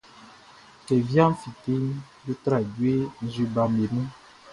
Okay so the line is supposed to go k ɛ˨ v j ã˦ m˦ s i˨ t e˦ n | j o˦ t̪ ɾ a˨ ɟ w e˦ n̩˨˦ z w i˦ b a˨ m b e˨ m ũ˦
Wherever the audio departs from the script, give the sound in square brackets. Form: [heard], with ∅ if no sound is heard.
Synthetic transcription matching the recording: k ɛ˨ v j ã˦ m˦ [f] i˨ t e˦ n | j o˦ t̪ ɾ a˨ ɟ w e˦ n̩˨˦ z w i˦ b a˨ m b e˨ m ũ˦

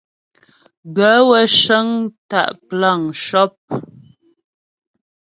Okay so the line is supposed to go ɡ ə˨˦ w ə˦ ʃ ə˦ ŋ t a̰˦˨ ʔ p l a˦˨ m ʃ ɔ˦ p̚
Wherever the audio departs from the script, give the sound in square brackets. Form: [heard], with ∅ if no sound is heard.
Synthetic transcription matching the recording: ɡ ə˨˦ w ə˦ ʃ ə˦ ŋ t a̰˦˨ ʔ p l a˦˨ [ŋ] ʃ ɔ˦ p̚

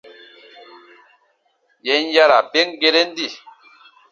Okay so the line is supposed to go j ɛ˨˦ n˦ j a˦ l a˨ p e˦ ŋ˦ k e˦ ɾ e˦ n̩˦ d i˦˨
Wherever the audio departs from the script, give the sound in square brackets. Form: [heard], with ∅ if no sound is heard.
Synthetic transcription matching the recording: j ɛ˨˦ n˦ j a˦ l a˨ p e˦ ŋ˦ [ɡ] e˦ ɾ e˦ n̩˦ d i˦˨

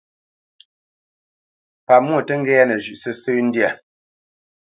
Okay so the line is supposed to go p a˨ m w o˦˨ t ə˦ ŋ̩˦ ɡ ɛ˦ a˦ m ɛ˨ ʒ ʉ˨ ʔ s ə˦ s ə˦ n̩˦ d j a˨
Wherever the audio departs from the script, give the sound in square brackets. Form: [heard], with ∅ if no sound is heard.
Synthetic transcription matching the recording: p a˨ m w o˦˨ t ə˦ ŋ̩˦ ɡ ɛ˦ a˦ [n] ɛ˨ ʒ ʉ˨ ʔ s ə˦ s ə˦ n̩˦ d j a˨

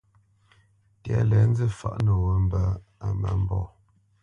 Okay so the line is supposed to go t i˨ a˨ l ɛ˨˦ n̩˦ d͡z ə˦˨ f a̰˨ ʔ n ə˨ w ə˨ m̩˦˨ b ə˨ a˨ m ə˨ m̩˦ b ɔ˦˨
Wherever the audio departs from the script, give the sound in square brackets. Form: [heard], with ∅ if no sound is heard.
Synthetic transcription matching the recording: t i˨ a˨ l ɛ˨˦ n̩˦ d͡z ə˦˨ f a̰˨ ʔ n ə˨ w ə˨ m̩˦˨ b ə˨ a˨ m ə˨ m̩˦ b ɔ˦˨

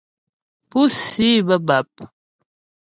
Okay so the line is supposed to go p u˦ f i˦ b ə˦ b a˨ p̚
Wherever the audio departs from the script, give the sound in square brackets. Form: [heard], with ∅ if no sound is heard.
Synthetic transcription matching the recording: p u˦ [s] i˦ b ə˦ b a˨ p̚

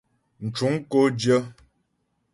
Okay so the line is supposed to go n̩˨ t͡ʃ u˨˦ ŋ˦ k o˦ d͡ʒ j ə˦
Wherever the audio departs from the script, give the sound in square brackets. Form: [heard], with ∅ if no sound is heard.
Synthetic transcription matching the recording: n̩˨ t͡ʃ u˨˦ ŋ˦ k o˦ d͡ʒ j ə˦

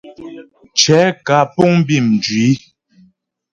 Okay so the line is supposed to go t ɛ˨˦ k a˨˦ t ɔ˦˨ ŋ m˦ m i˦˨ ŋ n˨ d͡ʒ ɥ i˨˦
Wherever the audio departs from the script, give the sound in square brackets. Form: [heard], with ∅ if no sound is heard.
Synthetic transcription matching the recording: [t͡ʃ] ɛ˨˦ k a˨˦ [p] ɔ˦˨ ŋ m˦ [b] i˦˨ [m] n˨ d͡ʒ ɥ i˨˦

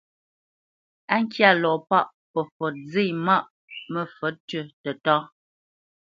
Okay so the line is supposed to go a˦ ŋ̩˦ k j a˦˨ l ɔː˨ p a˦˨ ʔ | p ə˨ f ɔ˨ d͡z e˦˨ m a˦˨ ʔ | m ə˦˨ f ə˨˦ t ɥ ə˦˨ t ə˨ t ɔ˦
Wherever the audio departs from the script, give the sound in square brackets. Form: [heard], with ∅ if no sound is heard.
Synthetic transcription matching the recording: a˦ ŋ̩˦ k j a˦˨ l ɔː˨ p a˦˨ ʔ | p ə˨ f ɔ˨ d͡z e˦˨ m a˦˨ ʔ | m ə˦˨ f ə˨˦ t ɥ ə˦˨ t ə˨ t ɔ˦

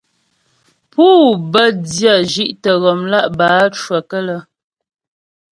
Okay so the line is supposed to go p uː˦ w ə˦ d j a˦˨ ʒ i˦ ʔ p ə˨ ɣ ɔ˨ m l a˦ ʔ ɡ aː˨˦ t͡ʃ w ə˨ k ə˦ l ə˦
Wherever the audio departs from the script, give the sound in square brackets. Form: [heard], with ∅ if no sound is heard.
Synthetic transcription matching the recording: p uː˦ [b] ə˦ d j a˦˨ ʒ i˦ ʔ [t] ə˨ ɣ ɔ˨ m l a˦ ʔ [b] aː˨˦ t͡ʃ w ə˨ k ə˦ l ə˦

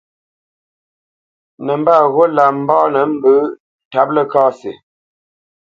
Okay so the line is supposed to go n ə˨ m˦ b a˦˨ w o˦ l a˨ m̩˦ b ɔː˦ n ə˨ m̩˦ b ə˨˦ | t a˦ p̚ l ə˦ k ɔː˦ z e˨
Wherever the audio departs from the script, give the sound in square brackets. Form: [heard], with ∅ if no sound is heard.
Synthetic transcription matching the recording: n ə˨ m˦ b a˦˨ [ɣ] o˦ l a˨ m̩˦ b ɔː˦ n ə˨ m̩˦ b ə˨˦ | t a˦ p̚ l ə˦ k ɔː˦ [s] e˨

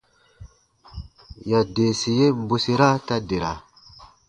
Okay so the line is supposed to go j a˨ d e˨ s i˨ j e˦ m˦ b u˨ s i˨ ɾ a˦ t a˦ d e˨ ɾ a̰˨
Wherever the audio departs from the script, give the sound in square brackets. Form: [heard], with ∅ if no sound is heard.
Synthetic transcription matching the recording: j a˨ d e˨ s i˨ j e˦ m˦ b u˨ s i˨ ɾ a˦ t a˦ d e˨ ɾ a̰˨

